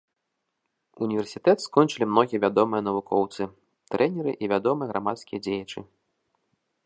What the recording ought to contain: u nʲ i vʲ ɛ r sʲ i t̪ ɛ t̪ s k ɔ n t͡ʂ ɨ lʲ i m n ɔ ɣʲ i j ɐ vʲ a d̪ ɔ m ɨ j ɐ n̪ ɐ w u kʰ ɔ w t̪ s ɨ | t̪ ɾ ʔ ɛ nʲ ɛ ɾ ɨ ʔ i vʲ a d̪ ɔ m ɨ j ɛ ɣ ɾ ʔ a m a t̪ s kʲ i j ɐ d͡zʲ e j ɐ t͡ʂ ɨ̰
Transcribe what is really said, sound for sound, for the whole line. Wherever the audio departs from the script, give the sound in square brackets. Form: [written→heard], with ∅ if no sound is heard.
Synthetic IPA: u nʲ i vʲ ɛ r sʲ i t̪ ɛ t̪ s k ɔ n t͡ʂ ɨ lʲ i m n ɔ ɣʲ i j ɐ vʲ a d̪ ɔ m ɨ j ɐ n̪ ɐ [w→v] u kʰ ɔ w t̪ s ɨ | t̪ ɾ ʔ ɛ nʲ ɛ ɾ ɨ ʔ i vʲ a d̪ ɔ m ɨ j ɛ ɣ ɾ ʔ a m a t̪ s kʲ i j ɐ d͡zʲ e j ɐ t͡ʂ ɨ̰